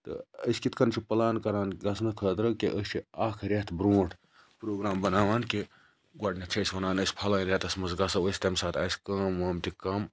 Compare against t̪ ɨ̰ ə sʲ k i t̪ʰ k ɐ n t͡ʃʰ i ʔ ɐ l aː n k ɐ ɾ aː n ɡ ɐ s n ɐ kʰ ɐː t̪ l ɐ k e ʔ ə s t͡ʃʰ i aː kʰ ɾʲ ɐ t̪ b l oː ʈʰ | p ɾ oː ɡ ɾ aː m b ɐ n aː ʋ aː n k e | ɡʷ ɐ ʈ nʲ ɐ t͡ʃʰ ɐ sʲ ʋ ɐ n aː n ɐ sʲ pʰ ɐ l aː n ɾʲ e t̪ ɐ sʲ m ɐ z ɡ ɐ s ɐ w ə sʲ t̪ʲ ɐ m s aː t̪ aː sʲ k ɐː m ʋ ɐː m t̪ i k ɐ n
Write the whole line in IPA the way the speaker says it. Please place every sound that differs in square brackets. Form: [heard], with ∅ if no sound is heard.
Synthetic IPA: t̪ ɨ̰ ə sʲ k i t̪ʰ k ɐ n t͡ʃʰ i [p] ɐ l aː n k ɐ ɾ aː n ɡ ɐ s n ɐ kʰ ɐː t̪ [ɾ] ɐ k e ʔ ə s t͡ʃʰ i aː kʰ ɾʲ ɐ t̪ b [ɾ] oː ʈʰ | p ɾ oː ɡ ɾ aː m b ɐ n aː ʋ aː n k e | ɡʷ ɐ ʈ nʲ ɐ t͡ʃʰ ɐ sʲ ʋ ɐ n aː n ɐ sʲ pʰ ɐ l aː n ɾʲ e t̪ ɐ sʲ m ɐ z ɡ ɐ s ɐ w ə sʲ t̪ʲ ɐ m s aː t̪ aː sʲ k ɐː m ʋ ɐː m t̪ i k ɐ [m]

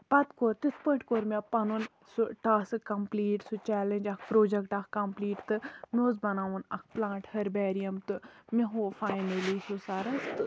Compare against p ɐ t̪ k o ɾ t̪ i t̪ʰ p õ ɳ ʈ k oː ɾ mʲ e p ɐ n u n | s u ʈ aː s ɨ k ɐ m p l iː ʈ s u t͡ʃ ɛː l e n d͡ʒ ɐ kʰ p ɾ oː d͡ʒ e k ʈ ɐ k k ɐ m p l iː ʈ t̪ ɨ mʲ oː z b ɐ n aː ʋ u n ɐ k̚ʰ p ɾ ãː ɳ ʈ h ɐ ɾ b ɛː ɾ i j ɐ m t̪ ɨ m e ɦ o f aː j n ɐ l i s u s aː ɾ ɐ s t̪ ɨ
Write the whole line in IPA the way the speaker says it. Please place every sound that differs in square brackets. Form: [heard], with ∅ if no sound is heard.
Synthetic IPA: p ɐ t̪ k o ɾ t̪ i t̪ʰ p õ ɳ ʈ k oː ɾ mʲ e p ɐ n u n | s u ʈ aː s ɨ k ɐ m p l iː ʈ s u t͡ʃ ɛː l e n d͡ʒ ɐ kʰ p ɾ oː d͡ʒ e k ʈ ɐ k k ɐ m p l iː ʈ t̪ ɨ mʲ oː z b ɐ n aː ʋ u n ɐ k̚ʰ p [l] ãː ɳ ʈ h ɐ ɾ b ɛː ɾ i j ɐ m t̪ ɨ m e ɦ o f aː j n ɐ l i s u s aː ɾ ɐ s t̪ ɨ

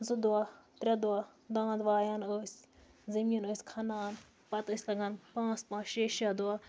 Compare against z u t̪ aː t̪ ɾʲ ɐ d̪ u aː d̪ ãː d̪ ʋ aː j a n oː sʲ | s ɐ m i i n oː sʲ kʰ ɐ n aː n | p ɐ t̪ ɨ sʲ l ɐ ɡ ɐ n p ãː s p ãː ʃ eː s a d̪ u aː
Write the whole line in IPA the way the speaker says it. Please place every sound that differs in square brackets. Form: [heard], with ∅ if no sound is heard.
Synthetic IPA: z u [d̪] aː t̪ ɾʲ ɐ d̪ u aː d̪ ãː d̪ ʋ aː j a n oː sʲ | [z] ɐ m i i n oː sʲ kʰ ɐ n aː n | p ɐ t̪ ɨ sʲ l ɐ ɡ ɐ n p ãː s p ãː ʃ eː [ʃ] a d̪ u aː

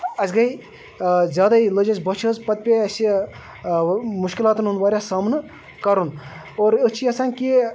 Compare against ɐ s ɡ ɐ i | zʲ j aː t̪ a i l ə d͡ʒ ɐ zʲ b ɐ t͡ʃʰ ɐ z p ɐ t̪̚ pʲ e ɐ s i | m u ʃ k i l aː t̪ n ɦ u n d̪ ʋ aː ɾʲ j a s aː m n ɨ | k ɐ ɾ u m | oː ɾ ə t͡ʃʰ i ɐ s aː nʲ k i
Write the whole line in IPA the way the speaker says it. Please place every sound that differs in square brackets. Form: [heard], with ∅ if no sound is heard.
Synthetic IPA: ɐ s ɡ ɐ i | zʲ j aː [d̪] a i l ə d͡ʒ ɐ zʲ b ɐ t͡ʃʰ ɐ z p ɐ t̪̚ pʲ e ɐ s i | m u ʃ k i l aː t̪ n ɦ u n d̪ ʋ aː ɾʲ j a s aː m n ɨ | k ɐ ɾ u [n] | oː ɾ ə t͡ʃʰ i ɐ s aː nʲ k i

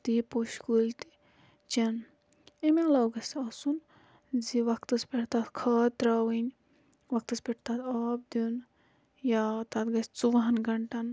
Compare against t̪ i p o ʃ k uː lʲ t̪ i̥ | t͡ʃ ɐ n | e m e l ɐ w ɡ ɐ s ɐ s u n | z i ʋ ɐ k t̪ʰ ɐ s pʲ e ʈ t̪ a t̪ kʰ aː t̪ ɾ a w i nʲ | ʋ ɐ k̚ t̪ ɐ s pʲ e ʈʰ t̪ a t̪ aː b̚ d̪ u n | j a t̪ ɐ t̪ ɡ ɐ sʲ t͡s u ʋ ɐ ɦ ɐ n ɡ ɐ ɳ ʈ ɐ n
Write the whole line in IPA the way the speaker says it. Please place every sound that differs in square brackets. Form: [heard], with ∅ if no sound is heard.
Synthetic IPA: t̪ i p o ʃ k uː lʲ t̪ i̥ | t͡ʃ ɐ n | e m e l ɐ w ɡ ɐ s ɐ s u n | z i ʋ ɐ k [t̪] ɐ s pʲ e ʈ t̪ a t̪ kʰ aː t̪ ɾ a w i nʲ | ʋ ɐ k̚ t̪ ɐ s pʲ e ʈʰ t̪ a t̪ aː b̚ d̪ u n | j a t̪ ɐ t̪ ɡ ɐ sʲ t͡s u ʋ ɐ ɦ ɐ n ɡ ɐ ɳ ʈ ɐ n

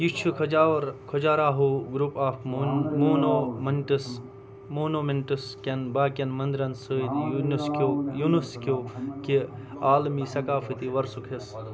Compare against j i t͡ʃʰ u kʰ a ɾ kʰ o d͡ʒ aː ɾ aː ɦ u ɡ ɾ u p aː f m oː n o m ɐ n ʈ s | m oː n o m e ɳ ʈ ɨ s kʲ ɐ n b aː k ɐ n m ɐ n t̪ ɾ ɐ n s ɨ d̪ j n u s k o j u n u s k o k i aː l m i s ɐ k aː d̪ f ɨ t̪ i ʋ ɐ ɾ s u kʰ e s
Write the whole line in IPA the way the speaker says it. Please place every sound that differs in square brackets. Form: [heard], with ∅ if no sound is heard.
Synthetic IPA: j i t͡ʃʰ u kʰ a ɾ kʰ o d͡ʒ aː ɾ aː ɦ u ɡ ɾ u p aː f m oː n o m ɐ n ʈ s | m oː n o m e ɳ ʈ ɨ s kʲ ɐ n b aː k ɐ n m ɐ n [d̪] ɾ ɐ n s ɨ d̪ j n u s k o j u n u s k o k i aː l m i s ɐ k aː [∅] f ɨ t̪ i ʋ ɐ ɾ s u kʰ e s

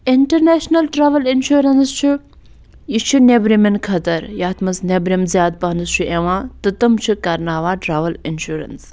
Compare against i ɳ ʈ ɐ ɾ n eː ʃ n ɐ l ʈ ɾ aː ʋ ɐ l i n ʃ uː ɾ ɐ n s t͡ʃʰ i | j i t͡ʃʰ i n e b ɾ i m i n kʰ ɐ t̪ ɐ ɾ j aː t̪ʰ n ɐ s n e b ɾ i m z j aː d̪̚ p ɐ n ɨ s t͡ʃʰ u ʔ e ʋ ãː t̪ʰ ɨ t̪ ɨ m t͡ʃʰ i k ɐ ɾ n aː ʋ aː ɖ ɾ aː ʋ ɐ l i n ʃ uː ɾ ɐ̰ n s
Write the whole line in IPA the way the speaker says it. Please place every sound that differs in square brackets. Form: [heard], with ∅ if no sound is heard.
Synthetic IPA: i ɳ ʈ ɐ ɾ n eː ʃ n ɐ l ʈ ɾ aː ʋ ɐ l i n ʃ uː ɾ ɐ n s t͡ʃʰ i | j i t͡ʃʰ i n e b ɾ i m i n kʰ ɐ t̪ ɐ ɾ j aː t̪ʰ [m] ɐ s n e b ɾ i m z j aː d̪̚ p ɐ n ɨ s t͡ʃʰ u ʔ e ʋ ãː [t̪] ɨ t̪ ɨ m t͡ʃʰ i k ɐ ɾ n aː ʋ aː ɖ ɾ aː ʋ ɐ l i n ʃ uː ɾ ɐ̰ n s

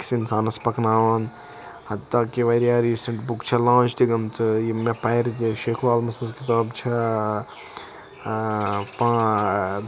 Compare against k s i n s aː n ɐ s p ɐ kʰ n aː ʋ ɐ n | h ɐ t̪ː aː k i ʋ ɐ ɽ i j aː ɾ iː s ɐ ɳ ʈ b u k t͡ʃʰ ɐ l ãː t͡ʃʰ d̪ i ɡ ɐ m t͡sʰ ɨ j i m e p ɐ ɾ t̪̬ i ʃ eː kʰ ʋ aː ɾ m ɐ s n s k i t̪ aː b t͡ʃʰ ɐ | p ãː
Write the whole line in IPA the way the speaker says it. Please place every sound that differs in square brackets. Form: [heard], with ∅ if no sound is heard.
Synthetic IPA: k s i n s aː n ɐ s p ɐ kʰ n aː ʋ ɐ n | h ɐ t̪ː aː k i ʋ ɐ [ɾ] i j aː ɾ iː s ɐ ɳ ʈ b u k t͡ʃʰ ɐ l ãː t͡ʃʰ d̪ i ɡ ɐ m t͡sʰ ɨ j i m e p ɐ ɾ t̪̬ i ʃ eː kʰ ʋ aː [l] m ɐ s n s k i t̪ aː b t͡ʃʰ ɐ | p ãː

